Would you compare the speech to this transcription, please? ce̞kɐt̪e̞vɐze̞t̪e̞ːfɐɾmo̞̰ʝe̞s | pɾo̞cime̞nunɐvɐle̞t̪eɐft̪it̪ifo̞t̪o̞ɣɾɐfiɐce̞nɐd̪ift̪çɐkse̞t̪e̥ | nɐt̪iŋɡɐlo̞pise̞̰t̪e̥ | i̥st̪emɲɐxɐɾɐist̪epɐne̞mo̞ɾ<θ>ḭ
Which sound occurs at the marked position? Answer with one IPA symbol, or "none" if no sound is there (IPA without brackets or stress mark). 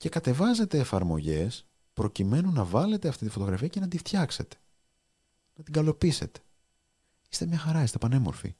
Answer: f